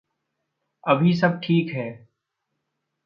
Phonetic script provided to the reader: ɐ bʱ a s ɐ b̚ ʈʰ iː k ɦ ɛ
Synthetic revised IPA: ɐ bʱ i s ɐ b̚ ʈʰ iː k ɦ ɛː